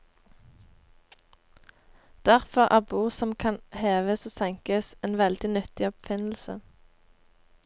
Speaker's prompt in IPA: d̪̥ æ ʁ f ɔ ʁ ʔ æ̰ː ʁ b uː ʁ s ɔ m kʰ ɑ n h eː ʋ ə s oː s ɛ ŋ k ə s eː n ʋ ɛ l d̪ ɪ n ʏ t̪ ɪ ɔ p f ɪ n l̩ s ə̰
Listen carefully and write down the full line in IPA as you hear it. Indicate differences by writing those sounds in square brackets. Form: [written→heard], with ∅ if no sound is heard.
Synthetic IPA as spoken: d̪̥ æ ʁ f ɔ ʁ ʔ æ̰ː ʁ b uː ʁ s ɔ m kʰ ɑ n h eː ʋ ə s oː s ɛ ŋ k ə s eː n ʋ ɛ l d̪ ɪ n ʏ t̪ ɪ ɔ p f ɪ n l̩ s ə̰